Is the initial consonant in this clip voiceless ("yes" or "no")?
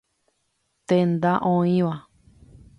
yes